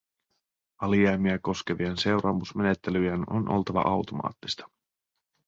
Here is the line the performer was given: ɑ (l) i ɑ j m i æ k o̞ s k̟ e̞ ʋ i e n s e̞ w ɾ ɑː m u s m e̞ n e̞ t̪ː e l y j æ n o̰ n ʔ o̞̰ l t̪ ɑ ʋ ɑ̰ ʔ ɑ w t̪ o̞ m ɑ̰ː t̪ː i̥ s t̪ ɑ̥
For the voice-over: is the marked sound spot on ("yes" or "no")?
yes